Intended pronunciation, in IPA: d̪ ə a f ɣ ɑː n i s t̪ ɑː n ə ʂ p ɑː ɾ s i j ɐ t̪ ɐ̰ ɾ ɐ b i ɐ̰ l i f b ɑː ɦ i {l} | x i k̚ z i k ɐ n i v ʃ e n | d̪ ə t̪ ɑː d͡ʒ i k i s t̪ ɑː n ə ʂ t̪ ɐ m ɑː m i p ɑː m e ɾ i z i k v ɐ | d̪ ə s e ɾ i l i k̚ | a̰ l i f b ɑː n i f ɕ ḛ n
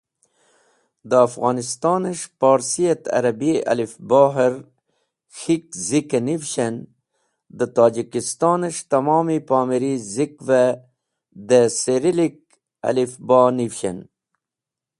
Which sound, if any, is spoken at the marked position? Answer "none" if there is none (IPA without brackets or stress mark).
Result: ɾ